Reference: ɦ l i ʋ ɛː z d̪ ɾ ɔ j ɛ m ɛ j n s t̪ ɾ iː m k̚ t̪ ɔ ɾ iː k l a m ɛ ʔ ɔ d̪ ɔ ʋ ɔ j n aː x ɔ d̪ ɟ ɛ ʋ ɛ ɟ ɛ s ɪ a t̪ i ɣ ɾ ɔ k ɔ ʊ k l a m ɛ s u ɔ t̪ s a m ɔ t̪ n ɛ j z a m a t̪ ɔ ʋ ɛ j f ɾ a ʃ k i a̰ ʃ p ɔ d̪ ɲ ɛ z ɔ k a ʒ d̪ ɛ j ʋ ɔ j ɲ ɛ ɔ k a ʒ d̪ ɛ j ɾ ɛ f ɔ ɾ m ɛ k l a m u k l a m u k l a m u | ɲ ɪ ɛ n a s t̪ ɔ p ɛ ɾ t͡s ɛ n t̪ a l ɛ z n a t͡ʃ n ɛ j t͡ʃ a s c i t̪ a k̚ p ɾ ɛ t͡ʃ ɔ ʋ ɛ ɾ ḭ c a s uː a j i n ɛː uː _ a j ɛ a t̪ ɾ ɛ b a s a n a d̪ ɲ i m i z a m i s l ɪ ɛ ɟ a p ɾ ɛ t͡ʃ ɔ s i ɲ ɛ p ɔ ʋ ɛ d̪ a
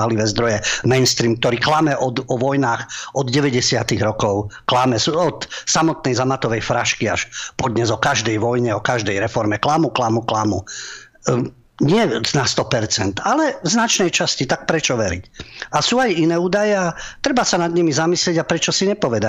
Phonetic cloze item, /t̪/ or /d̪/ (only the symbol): d̪